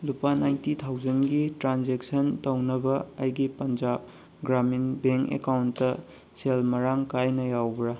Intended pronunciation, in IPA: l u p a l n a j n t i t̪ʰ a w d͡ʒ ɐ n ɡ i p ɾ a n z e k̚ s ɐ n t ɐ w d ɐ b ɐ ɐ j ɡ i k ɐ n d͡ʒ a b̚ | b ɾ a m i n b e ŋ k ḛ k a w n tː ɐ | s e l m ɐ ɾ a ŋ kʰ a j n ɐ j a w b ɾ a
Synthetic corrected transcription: l u p a n a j n t i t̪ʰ a w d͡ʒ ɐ n ɡ i t ɾ a n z e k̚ s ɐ n t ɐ w n ɐ b ɐ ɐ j ɡ i p ɐ n d͡ʒ a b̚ | ɡ ɾ a m i n b e ŋ k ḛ k a w n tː ɐ | s e l m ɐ ɾ a ŋ k a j n ɐ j a w b ɾ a